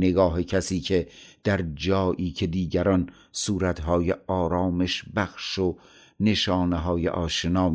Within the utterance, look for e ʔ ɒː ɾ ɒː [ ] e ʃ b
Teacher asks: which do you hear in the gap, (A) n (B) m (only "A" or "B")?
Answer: B